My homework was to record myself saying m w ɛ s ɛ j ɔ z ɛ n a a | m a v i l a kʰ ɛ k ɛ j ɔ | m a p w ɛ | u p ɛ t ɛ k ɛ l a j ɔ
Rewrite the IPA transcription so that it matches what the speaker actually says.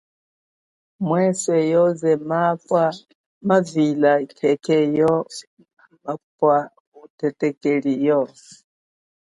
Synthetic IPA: m w ɛ s ɛ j ɔ z ɛ m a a | m a v i l a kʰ ɛ k ɛ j ɔ | m a p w a | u t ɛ t ɛ k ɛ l i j ɔ

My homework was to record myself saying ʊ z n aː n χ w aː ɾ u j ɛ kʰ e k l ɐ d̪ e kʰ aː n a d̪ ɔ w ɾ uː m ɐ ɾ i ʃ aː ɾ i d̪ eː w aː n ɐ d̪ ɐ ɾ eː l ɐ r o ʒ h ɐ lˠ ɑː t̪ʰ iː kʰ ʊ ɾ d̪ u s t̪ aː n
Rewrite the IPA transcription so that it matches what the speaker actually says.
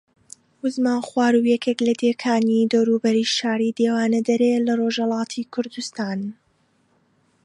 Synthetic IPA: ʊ z m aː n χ w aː ɾ u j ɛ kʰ e k l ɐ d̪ e kʰ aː n i d̪ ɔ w ɾ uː b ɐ ɾ i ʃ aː ɾ i d̪ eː w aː n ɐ d̪ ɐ ɾ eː l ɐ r o ʒ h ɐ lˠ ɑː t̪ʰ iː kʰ ʊ ɾ d̪ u s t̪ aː n

